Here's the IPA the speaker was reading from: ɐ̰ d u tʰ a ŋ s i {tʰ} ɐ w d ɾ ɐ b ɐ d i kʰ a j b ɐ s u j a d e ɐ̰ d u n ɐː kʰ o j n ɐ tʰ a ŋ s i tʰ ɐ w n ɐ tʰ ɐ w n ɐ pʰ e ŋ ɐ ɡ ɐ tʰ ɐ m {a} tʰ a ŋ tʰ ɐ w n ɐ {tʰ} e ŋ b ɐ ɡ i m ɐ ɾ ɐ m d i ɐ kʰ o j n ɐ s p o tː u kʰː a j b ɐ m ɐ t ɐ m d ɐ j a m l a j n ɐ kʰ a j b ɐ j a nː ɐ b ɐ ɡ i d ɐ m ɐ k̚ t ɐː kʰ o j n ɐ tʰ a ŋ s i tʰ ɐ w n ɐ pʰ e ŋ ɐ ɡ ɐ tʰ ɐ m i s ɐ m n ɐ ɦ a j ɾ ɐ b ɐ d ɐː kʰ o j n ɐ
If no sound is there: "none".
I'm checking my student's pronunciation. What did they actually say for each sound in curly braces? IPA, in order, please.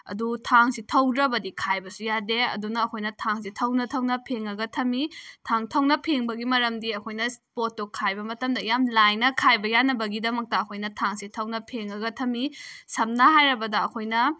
tʰ, i, pʰ

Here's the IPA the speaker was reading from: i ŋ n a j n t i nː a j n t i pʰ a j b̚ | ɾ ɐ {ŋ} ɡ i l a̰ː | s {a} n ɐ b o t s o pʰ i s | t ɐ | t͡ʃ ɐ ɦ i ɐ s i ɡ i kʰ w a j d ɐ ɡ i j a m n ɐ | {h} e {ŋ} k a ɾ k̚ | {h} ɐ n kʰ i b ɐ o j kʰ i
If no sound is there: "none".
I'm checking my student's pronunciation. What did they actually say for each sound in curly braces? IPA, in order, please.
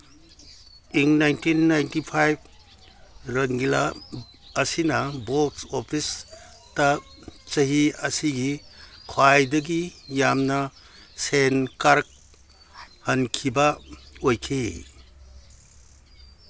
ŋ, i, s, n, h

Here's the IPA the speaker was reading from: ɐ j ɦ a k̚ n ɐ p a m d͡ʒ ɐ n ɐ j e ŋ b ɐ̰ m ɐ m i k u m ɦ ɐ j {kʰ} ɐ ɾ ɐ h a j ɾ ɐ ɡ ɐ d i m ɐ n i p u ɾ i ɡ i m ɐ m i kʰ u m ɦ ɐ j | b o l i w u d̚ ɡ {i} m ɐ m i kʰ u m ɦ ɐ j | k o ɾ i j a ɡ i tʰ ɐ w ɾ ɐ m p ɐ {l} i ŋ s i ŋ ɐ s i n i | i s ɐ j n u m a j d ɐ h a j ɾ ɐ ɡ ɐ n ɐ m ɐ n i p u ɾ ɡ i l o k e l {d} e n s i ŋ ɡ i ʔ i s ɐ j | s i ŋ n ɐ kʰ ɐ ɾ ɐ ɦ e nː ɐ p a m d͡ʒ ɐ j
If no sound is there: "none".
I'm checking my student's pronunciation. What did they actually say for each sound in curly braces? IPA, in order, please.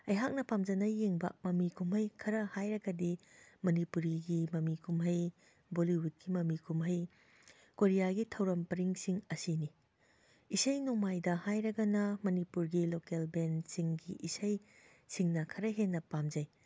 kʰ, i, ɾ, b

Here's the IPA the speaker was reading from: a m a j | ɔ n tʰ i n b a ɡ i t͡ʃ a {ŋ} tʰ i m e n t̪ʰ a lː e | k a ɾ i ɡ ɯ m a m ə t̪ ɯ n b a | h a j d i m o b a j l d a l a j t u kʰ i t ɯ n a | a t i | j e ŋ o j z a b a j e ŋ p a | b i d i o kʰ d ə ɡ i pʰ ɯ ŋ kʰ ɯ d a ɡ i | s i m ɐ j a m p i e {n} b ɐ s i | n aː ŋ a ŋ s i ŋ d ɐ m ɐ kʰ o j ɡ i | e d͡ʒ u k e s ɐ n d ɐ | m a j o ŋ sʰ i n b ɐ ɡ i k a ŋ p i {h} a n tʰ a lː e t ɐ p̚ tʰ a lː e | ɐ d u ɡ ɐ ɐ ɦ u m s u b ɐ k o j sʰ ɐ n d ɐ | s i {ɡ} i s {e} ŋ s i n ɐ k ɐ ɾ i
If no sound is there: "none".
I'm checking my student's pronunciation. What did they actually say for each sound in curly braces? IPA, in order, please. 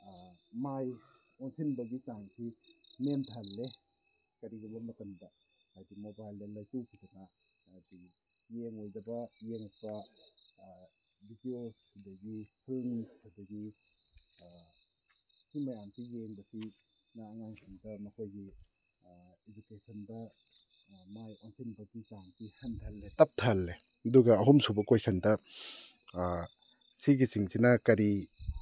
ŋ, ŋ, h, ɡ, i

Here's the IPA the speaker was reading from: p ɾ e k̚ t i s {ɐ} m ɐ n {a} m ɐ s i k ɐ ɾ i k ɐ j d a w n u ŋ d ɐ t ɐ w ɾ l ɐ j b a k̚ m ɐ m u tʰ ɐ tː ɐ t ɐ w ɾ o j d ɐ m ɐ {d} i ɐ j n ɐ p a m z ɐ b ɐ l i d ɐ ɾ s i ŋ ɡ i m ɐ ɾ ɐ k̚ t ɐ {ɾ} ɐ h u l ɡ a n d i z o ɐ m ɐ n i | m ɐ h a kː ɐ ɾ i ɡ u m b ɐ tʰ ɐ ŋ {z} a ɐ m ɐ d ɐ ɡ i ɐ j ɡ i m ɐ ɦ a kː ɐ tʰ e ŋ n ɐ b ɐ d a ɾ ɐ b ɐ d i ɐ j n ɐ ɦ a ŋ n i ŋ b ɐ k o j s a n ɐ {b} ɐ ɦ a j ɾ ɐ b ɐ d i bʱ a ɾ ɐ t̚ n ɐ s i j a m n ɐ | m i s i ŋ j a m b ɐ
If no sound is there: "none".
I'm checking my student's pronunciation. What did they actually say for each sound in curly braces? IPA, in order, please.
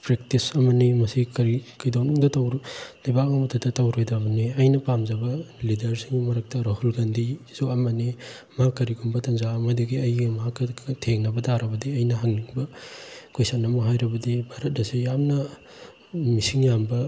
ɐ, i, n, ɾ, z, m

